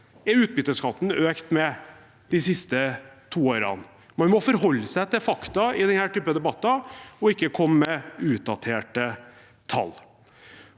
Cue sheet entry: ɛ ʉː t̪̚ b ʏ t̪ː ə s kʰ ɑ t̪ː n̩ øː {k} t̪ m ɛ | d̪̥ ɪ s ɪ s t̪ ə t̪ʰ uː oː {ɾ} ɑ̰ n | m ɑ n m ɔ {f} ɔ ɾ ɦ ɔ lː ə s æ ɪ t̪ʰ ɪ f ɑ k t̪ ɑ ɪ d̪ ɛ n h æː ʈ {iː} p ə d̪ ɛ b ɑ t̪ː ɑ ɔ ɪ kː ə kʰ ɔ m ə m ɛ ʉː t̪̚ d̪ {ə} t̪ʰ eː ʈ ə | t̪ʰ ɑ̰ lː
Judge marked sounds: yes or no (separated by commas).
yes, yes, yes, no, no